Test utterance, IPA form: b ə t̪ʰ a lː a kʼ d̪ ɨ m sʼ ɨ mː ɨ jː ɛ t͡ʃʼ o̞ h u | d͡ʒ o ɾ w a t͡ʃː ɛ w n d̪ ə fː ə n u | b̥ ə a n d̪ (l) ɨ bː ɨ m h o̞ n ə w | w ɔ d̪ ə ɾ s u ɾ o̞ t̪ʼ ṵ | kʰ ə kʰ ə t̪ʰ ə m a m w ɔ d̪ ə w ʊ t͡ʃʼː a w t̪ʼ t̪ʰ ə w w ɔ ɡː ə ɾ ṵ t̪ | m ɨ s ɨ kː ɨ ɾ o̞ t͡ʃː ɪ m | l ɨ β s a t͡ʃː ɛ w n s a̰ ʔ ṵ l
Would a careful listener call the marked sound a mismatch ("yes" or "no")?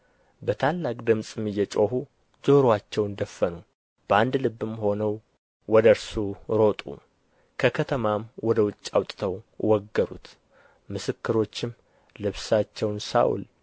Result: no